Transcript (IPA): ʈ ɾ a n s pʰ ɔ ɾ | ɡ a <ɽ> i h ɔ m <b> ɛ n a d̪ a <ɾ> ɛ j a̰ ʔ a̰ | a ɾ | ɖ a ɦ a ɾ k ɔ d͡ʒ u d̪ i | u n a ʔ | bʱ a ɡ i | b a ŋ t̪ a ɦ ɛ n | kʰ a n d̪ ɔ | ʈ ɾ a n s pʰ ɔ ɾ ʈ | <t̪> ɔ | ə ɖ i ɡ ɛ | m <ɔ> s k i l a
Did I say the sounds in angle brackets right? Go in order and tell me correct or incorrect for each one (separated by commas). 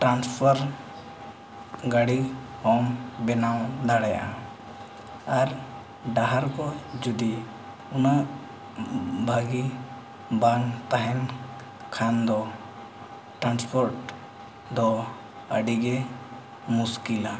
correct, correct, incorrect, incorrect, incorrect